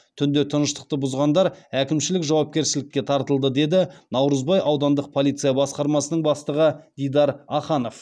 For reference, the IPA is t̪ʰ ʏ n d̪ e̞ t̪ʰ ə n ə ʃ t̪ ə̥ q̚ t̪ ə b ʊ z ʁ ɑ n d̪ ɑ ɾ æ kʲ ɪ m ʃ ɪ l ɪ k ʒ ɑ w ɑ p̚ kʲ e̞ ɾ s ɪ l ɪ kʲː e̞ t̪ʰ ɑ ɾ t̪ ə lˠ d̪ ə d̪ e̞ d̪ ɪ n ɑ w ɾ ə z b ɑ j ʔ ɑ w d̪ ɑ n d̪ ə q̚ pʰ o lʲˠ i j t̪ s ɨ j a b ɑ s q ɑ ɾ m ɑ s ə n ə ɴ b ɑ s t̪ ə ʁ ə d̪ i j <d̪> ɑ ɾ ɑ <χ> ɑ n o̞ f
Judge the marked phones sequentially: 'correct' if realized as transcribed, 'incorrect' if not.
correct, correct

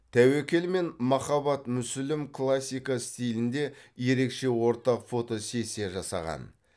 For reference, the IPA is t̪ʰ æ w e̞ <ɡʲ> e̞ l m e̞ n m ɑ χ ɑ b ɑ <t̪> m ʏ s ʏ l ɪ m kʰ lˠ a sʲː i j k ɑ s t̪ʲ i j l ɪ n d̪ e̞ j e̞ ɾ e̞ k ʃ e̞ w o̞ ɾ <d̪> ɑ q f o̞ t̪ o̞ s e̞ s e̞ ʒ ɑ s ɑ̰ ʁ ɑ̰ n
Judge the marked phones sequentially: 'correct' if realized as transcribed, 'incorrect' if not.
incorrect, correct, incorrect

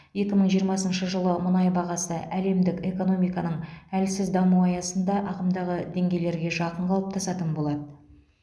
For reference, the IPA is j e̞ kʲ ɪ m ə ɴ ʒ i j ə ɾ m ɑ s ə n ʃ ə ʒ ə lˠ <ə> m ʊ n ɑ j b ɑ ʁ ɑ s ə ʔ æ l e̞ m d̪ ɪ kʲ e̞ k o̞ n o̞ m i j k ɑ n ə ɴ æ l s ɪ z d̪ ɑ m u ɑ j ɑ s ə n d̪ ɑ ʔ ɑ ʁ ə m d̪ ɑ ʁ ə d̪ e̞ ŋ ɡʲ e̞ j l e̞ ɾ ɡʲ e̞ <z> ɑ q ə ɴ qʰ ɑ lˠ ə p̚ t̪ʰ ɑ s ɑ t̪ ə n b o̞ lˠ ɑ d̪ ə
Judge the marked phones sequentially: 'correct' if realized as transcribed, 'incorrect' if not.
correct, incorrect

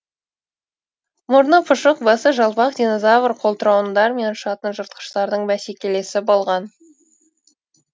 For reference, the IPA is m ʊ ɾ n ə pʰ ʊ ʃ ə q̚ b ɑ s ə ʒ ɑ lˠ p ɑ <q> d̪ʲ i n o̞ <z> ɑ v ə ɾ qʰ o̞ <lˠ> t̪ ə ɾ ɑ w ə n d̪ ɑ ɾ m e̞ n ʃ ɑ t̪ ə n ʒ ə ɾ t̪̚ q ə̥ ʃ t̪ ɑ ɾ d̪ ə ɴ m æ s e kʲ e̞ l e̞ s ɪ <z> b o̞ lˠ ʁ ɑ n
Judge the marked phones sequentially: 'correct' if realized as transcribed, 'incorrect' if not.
correct, correct, correct, incorrect

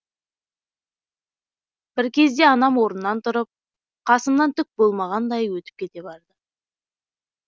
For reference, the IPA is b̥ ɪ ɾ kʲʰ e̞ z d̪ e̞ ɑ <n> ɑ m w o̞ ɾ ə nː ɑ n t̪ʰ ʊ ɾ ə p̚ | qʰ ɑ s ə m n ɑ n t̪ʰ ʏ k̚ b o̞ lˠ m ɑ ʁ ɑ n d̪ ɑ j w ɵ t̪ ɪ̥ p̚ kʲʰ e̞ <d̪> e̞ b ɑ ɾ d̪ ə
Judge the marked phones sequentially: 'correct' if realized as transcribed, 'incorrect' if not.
correct, incorrect

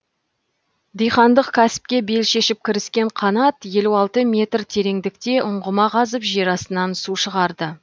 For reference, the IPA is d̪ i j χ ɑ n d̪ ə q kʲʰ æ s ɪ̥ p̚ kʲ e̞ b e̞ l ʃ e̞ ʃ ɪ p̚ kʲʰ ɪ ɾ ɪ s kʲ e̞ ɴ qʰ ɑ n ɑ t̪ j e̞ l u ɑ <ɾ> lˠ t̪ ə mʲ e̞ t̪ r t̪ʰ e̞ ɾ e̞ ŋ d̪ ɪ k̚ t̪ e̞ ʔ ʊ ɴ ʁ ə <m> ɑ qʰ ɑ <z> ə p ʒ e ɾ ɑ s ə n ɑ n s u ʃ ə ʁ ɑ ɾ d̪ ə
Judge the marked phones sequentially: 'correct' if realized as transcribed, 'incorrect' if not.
incorrect, correct, correct

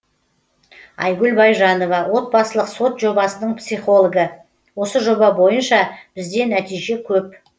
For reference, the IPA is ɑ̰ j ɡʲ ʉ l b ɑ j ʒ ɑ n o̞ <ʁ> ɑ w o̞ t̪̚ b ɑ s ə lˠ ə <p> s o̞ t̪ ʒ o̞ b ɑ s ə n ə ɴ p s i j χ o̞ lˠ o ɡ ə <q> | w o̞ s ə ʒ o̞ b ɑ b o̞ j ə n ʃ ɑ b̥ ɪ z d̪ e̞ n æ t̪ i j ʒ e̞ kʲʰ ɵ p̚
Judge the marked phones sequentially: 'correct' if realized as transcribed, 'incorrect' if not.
incorrect, incorrect, incorrect

